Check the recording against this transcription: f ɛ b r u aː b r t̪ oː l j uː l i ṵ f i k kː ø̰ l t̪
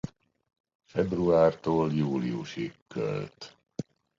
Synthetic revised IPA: f ɛ b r u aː r t̪ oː l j uː l i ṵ ʃ i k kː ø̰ l t̪